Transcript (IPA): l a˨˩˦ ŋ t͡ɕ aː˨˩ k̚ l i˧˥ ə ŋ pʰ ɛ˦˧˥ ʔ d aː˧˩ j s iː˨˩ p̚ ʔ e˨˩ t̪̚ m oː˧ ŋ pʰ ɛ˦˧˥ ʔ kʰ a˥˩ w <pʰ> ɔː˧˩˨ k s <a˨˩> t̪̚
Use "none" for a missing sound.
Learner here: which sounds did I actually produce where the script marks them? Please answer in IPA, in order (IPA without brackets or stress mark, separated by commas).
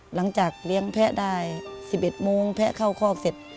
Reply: kʰ, e˨˩